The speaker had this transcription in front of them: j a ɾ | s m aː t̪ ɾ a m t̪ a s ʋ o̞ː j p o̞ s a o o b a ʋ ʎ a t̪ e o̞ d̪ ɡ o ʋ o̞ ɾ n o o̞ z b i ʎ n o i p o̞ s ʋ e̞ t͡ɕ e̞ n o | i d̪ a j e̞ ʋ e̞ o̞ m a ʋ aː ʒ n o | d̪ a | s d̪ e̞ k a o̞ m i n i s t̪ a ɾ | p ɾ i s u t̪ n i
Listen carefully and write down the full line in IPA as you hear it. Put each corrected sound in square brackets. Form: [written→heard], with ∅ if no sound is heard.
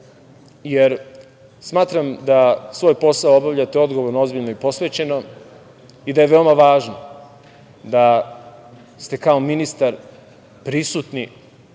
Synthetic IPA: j [a→e] ɾ | s m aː t̪ ɾ a m [t̪→d̪] a s ʋ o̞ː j p o̞ s a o o b a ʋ ʎ a t̪ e o̞ d̪ ɡ o ʋ o̞ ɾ n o o̞ z b i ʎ n o i p o̞ s ʋ e̞ t͡ɕ e̞ n o | i d̪ a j e̞ ʋ e̞ o̞ m a ʋ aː ʒ n o | d̪ a | s [d̪→t̪] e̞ k a o̞ m i n i s t̪ a ɾ | p ɾ i s u t̪ n i